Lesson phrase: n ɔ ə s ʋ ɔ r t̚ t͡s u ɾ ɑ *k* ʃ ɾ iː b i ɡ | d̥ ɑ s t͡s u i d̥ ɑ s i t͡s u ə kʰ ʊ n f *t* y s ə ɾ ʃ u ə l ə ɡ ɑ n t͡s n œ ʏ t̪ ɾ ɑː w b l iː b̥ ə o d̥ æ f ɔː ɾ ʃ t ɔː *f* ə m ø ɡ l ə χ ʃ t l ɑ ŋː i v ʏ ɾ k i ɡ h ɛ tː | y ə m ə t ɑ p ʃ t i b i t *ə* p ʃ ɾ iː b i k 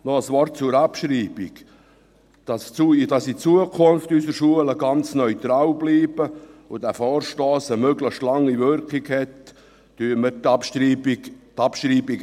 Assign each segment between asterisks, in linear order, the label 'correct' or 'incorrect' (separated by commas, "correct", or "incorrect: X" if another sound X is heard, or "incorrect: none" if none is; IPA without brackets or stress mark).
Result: incorrect: p, correct, incorrect: s, incorrect: ɑ